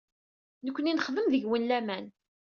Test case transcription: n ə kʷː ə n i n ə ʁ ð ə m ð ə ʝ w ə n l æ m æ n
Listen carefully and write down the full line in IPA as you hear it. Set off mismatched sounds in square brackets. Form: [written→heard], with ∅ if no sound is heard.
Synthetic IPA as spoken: n ə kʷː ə n i n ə [ʁ→χ] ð ə m ð ə ʝ w ə n l æ m æ n